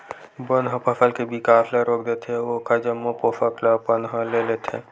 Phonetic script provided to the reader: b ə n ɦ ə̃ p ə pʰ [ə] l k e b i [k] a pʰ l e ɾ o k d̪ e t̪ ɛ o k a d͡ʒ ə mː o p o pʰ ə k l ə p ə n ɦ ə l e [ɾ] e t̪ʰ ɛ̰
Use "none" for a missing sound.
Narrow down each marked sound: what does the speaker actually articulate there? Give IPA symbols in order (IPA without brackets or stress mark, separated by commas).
ə, k, l